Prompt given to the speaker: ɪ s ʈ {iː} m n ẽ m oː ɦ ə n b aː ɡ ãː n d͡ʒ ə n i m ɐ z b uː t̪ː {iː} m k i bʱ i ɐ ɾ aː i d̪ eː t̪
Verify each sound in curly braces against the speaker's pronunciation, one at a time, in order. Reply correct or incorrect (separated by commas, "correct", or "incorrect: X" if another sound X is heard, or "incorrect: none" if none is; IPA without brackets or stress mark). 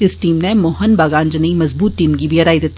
correct, correct